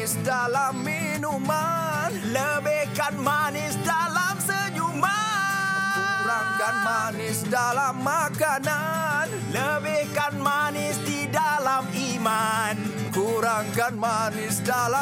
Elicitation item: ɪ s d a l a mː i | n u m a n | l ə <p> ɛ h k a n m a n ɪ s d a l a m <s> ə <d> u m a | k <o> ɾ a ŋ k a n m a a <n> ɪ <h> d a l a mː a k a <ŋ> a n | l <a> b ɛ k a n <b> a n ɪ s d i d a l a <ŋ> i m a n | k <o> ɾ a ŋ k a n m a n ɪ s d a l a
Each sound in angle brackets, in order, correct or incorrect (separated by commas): incorrect, correct, incorrect, incorrect, correct, incorrect, incorrect, incorrect, incorrect, incorrect, incorrect